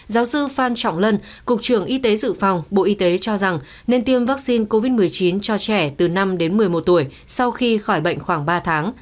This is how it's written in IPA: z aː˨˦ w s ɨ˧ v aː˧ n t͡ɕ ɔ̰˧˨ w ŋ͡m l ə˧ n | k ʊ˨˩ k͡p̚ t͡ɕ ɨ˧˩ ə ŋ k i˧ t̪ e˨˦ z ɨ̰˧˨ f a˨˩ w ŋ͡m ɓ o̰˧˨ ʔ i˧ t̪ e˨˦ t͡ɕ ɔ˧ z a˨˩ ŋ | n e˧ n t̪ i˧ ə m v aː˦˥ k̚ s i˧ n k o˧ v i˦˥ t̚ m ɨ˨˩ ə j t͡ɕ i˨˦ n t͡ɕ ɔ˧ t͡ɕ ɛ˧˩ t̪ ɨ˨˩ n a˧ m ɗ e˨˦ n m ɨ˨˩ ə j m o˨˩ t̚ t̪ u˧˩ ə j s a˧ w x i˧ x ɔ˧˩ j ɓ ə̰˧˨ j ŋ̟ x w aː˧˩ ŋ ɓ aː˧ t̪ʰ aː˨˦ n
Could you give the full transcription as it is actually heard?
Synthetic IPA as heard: z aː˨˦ w s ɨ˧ f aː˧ n t͡ɕ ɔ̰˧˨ w ŋ͡m l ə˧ n | k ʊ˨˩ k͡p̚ t͡ɕ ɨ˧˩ ə ŋ ʔ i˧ t̪ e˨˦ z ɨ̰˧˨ f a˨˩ w ŋ͡m ɓ o̰˧˨ ʔ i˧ t̪ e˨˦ t͡ɕ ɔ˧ z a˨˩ ŋ | n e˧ n t̪ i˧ ə m v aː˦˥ k̚ s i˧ n k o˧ v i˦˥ t̚ m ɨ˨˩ ə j t͡ɕ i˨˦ n t͡ɕ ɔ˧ t͡ɕ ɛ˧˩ t̪ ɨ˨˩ n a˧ m ɗ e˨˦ n m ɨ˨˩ ə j m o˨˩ t̚ t̪ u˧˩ ə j s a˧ w x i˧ x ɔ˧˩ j ɓ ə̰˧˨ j ŋ̟ x w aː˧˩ ŋ ɓ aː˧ t̪ʰ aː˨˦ ŋ